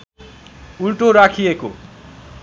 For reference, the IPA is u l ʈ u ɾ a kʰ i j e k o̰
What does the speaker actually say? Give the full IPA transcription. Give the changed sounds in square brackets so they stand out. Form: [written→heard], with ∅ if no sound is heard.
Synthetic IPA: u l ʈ [u→o] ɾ a kʰ i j e k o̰